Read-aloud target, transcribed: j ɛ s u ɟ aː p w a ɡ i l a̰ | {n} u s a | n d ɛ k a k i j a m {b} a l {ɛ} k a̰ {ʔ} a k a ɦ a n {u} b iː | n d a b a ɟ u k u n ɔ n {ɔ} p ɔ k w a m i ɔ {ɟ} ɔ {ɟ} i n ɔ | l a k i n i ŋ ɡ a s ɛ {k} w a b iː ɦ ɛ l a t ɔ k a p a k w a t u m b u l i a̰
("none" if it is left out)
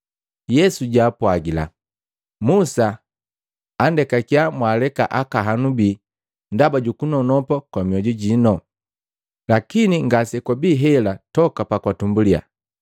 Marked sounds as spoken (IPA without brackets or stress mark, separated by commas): m, w, ɛ, ʔ, u, ɔ, ɟ, ɟ, k